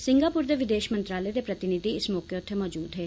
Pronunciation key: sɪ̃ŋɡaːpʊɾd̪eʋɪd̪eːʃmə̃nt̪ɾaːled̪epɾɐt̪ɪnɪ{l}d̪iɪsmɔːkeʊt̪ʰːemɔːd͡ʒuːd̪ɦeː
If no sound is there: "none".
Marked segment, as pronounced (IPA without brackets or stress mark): none